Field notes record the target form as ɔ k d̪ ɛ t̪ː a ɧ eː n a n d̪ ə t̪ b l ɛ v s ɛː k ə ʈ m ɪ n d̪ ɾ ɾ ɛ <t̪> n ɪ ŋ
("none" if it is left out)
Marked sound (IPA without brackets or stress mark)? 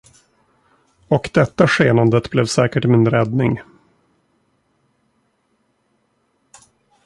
d̪